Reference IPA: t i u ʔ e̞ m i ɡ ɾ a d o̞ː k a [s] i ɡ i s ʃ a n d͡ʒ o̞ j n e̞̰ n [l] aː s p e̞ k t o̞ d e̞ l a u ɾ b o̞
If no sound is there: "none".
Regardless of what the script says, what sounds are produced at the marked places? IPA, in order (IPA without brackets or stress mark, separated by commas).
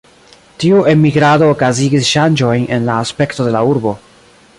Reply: z, l